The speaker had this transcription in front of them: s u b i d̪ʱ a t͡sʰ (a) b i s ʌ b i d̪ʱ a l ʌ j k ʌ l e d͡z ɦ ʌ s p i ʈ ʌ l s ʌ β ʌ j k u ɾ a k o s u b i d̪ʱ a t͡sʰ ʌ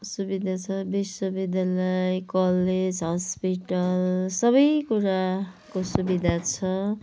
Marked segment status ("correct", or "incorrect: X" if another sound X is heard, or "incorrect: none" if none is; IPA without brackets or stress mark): incorrect: ʌ